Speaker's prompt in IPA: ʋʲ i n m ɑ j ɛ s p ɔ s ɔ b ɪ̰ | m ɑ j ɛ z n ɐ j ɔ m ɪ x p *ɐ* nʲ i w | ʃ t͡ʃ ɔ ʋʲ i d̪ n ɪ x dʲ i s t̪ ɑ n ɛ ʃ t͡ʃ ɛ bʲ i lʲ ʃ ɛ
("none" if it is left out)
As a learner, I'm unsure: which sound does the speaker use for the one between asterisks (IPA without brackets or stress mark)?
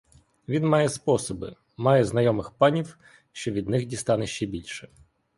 ɑ